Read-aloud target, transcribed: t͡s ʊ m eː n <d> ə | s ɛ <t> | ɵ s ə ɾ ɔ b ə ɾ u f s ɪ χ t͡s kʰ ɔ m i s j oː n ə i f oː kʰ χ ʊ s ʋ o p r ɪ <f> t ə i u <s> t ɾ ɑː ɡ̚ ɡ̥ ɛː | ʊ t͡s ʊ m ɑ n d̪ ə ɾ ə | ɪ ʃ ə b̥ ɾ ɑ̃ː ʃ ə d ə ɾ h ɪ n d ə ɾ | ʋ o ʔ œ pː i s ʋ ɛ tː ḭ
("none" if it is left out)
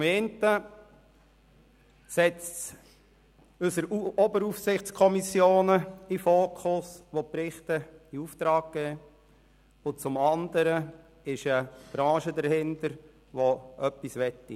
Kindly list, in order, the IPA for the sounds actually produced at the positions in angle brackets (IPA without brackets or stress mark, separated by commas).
t, t͡s, χ, f